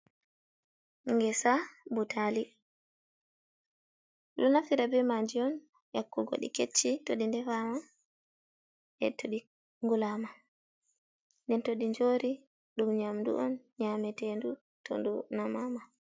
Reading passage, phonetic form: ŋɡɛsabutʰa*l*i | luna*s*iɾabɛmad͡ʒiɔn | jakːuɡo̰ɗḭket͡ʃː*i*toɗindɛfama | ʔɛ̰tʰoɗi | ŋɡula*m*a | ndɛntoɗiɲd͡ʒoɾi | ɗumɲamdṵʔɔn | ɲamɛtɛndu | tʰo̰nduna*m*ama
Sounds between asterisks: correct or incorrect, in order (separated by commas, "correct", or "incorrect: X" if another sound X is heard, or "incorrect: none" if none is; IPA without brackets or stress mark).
correct, incorrect: f, correct, correct, correct